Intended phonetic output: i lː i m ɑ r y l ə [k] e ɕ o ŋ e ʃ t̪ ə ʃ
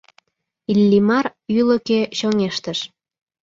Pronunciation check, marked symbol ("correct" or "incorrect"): correct